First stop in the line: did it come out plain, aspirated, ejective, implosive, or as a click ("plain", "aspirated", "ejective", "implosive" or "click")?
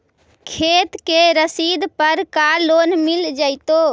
aspirated